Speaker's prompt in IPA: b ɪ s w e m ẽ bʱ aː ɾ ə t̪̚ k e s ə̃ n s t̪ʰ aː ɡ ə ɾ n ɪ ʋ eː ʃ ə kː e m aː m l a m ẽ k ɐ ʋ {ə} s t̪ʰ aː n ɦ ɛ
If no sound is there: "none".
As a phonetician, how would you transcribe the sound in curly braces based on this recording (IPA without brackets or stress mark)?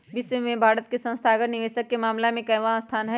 a